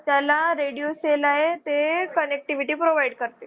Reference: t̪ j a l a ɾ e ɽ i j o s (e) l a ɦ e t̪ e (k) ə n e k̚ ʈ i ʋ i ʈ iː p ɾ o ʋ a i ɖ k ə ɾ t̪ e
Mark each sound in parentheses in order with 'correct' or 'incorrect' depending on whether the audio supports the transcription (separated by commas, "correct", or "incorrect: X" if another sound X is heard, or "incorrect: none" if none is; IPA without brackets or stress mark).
correct, correct